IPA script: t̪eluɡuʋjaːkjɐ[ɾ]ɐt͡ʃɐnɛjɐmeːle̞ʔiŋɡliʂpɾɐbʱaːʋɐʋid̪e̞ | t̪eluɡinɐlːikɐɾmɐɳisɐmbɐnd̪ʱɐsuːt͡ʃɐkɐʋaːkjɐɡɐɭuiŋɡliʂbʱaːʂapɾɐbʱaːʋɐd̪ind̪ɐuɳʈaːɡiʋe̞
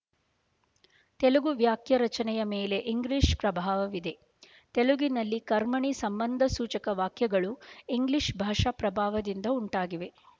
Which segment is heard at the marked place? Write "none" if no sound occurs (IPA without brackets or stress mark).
ɾ